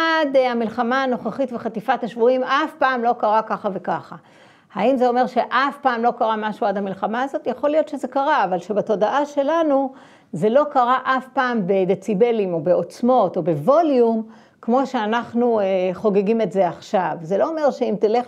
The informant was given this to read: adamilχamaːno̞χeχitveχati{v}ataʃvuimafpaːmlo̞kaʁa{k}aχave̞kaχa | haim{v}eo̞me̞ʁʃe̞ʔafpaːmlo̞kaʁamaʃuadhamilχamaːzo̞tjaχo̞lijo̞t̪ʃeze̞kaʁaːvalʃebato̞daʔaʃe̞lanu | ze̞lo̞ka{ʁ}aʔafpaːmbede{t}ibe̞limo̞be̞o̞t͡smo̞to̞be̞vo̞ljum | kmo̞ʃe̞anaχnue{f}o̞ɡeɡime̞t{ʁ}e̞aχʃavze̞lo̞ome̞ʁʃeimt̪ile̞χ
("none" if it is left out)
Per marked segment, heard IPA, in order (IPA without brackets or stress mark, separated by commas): f, k, z, ʁ, t͡s, χ, z